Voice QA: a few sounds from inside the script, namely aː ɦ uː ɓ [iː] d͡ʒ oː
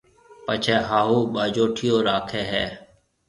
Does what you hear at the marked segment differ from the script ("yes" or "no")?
yes